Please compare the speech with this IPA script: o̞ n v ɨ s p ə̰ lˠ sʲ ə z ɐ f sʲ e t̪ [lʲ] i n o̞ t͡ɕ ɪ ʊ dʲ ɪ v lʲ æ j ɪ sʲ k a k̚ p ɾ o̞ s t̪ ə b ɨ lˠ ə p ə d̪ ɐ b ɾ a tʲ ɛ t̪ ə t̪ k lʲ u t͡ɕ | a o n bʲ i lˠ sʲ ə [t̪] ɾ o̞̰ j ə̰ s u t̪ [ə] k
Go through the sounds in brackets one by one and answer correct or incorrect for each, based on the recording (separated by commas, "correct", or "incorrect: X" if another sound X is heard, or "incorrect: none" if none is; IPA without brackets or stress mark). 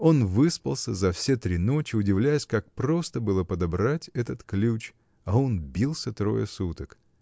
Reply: incorrect: ɾʲ, correct, correct